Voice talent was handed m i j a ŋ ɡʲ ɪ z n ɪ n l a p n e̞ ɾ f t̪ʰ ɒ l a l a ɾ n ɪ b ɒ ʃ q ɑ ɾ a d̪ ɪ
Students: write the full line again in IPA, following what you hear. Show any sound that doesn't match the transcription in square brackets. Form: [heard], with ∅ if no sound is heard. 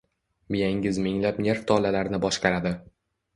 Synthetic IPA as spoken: m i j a ŋ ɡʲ ɪ z [m] ɪ [ŋ] l a p n e̞ ɾ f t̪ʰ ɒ l a l a ɾ n ɪ b ɒ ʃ q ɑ ɾ a d̪ ɪ